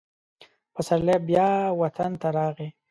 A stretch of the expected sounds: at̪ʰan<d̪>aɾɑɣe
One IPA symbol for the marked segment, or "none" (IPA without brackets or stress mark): t̪